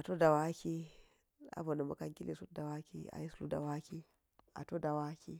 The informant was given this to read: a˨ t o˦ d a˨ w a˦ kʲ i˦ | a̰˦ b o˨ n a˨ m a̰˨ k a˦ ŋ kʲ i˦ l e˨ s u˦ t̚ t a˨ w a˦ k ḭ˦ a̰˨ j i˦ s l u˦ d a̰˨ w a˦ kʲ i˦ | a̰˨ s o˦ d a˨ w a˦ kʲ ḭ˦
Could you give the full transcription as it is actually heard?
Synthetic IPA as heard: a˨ t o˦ d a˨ w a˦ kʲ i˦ | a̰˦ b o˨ n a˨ m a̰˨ k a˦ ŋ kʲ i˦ l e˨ s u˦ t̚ d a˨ w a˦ k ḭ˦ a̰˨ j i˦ s l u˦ d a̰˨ w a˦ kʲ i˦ | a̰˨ t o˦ d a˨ w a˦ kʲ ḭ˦